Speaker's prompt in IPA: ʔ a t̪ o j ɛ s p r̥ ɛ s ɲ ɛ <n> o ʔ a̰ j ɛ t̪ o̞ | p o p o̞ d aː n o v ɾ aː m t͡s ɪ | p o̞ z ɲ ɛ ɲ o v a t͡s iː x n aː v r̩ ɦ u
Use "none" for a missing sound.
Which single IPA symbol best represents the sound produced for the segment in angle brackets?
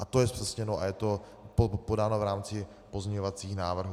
n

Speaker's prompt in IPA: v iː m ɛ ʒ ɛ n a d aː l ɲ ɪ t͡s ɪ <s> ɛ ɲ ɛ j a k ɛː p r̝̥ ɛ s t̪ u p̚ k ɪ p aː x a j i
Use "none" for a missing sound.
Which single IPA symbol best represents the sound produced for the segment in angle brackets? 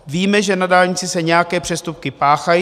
s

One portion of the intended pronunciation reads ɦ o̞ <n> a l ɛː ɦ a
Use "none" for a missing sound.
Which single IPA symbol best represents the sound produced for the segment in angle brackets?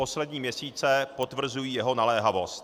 n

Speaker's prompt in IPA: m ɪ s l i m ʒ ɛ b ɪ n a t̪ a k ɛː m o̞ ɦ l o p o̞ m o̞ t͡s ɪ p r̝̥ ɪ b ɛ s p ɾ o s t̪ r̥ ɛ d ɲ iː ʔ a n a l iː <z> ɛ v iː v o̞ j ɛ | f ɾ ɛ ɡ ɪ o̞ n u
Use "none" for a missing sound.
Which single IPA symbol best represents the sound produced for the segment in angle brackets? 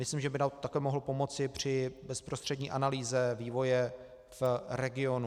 z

